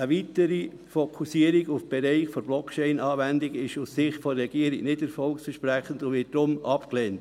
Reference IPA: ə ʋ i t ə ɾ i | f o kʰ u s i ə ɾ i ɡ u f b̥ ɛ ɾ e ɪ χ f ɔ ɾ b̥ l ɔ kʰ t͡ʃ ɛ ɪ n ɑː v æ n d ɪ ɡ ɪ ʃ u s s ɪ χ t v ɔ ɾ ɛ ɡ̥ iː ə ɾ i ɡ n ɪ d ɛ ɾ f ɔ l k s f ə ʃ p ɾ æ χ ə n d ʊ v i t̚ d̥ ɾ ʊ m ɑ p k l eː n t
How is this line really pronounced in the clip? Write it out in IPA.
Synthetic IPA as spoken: ə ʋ i t ə ɾ i | f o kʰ u s i ə ɾ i ɡ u f b̥ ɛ ɾ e ɪ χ f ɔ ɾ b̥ l ɔ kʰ t͡ʃ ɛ ɪ n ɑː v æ n d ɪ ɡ ɪ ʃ u s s ɪ χ t f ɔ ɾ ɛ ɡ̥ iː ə ɾ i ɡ n ɪ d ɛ ɾ f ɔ l k s f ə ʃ p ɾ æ χ ə n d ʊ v ɪ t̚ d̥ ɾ ʊ m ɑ p k l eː n t